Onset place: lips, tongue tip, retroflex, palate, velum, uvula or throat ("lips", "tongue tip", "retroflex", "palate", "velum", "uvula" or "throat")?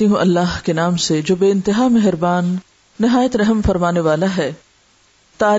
throat